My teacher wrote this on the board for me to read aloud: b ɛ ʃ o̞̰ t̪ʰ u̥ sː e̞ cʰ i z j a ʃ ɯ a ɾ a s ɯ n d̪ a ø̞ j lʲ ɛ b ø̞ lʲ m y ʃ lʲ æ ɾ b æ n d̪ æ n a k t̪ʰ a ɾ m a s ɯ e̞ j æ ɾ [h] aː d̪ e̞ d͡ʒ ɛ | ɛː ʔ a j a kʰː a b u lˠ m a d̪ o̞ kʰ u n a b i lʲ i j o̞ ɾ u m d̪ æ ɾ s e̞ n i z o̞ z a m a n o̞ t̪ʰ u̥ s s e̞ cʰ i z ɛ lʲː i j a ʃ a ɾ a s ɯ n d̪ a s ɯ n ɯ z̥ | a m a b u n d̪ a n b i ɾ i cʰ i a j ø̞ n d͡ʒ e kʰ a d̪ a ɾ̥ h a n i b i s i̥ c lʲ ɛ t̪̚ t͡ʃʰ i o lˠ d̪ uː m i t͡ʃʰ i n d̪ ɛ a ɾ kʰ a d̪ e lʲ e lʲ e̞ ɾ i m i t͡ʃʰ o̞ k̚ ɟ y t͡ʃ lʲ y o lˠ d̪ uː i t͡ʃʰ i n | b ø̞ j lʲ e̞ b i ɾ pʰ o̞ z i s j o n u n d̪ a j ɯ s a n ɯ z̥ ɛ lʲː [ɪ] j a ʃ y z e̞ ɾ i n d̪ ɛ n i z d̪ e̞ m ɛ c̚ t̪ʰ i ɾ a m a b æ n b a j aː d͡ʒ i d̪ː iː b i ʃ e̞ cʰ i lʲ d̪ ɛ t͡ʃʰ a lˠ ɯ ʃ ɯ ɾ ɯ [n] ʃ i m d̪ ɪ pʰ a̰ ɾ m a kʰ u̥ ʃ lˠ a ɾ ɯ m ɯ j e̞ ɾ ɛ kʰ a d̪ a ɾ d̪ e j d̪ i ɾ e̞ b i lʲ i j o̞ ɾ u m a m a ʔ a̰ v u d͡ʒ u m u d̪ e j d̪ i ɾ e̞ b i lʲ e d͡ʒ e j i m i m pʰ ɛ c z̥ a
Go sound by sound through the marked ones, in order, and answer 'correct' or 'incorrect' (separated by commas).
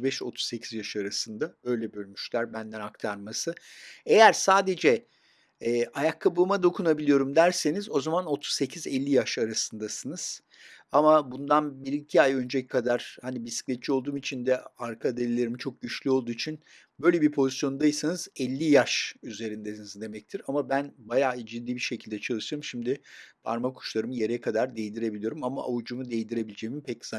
incorrect, incorrect, incorrect